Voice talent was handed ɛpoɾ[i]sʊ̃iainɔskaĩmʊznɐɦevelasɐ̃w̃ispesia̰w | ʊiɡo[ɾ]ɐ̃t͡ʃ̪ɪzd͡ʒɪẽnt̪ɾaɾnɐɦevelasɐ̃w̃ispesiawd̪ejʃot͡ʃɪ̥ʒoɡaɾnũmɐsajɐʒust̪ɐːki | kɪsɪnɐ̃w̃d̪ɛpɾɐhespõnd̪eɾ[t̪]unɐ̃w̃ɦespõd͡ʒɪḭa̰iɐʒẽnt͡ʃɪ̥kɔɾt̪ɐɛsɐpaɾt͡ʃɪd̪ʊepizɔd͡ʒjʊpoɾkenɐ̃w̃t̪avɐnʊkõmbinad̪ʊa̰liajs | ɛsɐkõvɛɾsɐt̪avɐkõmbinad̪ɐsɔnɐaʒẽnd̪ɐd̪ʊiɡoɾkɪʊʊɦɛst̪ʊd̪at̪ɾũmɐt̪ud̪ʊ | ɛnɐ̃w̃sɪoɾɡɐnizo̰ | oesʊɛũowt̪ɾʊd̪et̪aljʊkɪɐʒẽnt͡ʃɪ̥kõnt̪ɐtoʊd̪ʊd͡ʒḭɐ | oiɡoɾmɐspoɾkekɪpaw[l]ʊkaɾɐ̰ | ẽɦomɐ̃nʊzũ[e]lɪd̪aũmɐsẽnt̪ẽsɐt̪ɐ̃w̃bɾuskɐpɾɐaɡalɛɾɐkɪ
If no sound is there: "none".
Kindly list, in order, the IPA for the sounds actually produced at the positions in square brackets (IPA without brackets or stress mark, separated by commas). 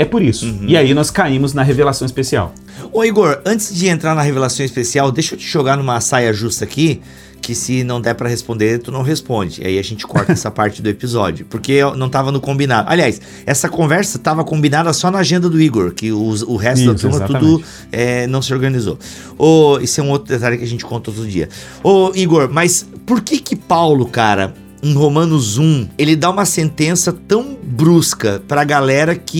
i, ɾ, t̪, l, e